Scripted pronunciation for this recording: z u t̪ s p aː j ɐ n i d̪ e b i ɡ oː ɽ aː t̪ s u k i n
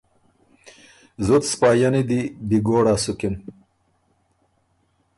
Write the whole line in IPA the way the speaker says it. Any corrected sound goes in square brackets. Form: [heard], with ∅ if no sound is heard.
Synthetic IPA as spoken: z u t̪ s p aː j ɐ n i d̪ [i] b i ɡ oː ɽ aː [∅] s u k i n